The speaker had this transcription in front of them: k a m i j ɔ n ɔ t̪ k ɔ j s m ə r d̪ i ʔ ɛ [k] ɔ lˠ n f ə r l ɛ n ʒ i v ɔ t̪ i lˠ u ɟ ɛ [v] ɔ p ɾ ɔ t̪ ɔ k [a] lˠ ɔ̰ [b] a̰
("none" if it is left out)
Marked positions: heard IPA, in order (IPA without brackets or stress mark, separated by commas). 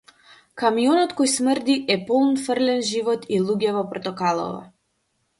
p, v, a, v